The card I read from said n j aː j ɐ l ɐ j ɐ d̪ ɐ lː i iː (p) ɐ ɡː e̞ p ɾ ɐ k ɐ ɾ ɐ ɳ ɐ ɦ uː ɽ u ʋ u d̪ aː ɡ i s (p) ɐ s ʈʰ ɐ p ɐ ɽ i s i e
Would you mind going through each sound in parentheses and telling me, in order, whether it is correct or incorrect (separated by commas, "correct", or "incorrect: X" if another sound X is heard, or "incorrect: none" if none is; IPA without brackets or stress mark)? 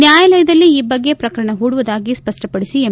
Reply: incorrect: b, correct